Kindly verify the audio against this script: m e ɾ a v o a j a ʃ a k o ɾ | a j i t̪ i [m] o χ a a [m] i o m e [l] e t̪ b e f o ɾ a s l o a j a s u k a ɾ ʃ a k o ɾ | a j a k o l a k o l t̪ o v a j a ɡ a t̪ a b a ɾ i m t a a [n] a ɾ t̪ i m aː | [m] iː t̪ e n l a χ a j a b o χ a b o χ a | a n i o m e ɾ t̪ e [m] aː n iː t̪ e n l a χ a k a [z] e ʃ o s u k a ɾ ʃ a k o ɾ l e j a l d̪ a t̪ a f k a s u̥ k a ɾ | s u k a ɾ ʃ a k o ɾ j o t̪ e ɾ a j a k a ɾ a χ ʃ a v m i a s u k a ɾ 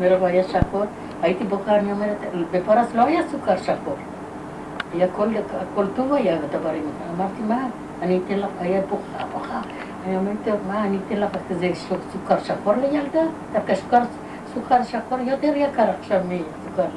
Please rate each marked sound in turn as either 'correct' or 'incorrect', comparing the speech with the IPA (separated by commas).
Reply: incorrect, incorrect, incorrect, incorrect, incorrect, correct, correct